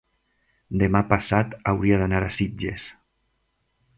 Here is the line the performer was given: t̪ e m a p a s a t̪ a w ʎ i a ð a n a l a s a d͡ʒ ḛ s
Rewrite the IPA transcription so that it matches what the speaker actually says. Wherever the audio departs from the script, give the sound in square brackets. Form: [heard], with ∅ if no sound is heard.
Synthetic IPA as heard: [d̪] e m a p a s a t̪ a w [ɾ] i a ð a n a [ɾ] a s [i] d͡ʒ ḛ s